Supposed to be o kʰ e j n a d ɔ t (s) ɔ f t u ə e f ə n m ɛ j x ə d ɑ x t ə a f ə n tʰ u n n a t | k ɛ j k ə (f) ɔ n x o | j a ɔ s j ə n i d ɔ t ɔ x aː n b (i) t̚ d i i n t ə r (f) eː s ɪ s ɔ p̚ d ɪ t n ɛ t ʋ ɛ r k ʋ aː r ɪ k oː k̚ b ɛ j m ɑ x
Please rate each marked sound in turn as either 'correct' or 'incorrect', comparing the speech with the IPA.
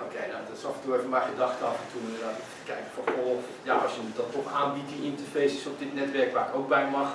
correct, correct, correct, correct

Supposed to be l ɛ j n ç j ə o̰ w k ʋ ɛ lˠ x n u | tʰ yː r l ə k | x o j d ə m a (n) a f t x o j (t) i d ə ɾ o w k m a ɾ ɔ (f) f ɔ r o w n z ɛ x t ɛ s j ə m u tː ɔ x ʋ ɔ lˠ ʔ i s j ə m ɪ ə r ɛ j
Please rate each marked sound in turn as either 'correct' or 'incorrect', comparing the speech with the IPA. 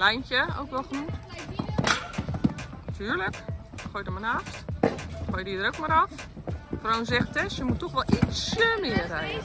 correct, incorrect: d, correct

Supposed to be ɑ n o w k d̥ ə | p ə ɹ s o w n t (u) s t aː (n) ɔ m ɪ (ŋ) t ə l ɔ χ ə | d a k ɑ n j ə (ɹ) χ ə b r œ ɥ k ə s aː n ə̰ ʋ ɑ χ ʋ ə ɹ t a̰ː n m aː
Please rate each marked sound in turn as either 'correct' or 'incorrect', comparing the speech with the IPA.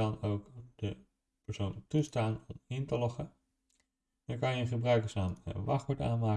correct, correct, incorrect: n, incorrect: none

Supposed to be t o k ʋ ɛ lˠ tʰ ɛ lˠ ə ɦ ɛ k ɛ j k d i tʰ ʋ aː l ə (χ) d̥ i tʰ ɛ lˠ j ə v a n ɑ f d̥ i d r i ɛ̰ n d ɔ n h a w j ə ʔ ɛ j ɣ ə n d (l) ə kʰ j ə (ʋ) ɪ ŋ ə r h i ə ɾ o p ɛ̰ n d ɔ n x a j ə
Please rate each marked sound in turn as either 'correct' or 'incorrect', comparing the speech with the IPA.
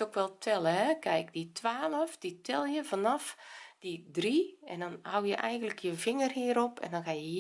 incorrect: f, correct, incorrect: v

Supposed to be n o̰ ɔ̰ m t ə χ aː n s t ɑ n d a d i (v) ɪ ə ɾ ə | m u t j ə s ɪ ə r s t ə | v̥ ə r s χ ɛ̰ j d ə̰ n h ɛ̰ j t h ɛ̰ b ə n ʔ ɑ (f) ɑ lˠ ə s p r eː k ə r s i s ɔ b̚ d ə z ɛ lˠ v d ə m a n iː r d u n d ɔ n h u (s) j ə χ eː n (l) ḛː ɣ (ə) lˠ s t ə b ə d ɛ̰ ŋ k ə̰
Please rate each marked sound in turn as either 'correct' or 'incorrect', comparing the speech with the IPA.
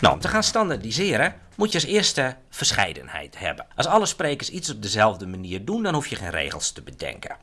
incorrect: z, incorrect: s, incorrect: f, incorrect: r, correct

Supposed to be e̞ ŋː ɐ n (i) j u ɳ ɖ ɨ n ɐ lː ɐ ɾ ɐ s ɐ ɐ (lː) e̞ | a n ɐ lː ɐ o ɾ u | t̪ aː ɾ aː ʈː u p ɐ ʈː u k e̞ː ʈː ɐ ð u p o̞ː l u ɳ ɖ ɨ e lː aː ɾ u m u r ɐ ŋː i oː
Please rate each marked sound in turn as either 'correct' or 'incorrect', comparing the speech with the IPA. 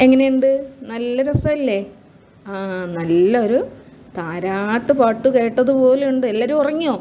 incorrect: e, correct

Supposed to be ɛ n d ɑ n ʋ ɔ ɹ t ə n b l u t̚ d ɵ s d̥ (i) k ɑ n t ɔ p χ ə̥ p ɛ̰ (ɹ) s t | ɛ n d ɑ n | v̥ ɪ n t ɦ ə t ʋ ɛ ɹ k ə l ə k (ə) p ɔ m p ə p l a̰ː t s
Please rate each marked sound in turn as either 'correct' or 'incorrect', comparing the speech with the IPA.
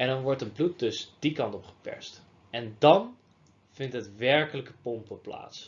correct, correct, correct

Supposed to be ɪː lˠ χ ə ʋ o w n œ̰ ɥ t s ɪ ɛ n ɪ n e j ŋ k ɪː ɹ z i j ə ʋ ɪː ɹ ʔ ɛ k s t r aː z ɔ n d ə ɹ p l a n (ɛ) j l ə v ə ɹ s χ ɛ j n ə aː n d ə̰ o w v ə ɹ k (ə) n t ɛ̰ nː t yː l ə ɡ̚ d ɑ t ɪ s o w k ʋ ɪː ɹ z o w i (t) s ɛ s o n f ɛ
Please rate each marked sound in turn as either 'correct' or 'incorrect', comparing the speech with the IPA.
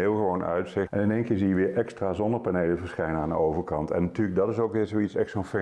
incorrect: e, incorrect: ɑ, correct

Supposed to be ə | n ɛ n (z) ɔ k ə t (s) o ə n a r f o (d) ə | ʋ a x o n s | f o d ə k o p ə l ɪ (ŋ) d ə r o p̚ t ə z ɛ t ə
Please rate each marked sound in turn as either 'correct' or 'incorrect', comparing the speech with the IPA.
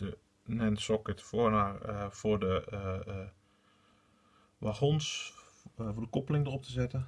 incorrect: s, incorrect: f, correct, correct

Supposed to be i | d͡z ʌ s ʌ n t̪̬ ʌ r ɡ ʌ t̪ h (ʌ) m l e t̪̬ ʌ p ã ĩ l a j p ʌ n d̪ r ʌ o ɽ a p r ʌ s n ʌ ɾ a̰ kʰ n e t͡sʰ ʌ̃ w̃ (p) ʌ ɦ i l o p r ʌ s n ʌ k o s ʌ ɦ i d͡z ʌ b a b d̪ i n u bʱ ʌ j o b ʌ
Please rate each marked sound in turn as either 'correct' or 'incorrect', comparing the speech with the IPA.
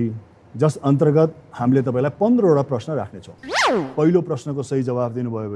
incorrect: a, correct

